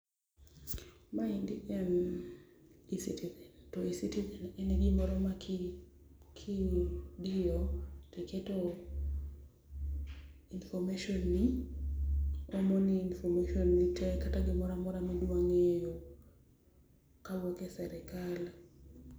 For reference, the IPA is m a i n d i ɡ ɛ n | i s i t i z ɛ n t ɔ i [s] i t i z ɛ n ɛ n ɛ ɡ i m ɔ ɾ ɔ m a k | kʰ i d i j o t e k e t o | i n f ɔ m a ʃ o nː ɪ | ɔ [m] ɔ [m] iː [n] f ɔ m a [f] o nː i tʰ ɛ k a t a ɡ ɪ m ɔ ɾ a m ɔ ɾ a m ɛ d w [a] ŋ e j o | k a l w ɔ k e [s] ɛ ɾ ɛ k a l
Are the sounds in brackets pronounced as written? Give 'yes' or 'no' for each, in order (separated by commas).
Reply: yes, yes, no, yes, no, yes, yes